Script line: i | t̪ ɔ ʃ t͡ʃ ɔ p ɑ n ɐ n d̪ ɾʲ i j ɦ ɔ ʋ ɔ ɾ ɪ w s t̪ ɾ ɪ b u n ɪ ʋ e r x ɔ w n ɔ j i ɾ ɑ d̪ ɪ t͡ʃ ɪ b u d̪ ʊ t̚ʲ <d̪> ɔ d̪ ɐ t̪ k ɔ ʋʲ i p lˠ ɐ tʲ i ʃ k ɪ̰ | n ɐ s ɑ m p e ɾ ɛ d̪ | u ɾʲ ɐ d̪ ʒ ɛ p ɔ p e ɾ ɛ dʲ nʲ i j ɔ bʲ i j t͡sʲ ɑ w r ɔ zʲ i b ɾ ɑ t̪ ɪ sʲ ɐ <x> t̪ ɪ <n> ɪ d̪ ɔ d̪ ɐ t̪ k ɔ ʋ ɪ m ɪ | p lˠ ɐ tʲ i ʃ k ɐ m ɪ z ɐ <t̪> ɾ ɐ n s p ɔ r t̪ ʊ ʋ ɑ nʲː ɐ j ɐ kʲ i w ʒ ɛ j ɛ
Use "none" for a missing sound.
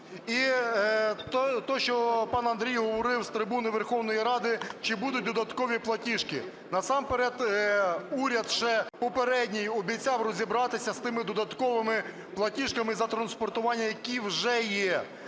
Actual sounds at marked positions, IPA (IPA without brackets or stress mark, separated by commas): d̪, s, m, t̪